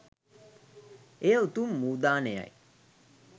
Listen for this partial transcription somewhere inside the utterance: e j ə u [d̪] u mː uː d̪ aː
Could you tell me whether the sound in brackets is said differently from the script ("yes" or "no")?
yes